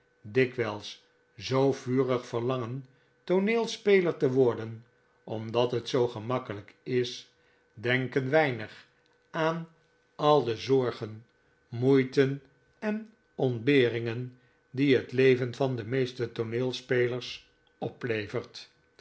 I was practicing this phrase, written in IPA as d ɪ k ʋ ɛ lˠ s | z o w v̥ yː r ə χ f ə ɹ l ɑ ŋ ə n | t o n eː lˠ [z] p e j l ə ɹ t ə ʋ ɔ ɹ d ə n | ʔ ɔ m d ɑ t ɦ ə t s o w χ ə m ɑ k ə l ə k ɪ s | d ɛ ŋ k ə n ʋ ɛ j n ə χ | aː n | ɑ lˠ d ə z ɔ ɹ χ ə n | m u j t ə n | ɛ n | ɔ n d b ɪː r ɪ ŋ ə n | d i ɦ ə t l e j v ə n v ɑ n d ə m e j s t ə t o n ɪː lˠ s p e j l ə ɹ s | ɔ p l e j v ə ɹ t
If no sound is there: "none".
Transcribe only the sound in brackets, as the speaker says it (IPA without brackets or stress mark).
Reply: s